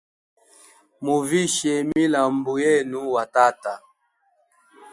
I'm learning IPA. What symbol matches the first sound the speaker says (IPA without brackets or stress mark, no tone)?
m